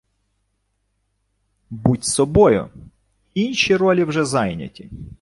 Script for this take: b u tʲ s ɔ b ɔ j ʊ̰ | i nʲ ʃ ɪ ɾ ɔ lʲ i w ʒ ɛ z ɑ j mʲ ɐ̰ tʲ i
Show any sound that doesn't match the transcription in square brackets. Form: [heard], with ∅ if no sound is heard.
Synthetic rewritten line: b u tʲ s ɔ b ɔ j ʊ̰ | i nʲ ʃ [i] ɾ ɔ lʲ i w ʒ ɛ z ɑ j [nʲ] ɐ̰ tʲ i